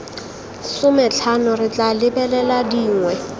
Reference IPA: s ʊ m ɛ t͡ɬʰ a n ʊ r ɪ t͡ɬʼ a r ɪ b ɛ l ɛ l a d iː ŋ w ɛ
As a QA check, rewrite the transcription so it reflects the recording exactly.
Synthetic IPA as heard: s ʊ m ɛ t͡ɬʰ a n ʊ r ɪ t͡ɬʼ a l ɪ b ɛ l ɛ l a d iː ŋ w ɛ